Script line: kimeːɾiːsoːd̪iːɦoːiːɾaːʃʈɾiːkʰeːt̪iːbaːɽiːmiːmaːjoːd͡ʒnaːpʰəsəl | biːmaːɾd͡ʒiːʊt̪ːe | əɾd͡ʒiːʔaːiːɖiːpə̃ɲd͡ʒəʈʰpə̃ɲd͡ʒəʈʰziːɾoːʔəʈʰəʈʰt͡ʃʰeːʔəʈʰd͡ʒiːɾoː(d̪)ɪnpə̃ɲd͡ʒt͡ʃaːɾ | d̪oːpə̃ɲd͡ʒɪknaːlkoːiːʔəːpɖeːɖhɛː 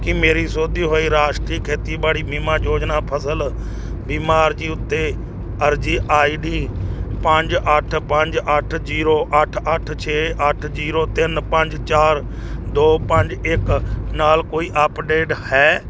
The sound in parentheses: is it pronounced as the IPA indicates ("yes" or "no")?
no